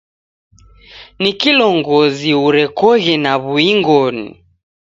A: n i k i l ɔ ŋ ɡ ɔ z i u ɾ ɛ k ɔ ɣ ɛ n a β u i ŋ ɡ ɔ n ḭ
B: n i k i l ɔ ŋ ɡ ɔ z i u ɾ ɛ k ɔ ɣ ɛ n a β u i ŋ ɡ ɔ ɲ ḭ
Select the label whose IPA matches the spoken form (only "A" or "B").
A